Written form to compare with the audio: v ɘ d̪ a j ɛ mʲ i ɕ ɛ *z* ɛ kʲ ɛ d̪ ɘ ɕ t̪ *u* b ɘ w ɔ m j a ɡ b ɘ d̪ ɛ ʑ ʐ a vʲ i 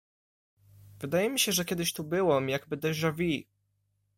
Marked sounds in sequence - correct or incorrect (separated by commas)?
incorrect, correct